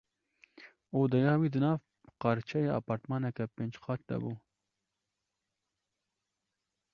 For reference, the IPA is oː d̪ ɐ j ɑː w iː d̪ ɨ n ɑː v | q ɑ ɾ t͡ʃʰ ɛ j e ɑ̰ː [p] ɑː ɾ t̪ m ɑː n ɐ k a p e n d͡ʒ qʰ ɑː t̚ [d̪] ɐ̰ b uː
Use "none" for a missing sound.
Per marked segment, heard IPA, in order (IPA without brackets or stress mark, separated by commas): p, d̪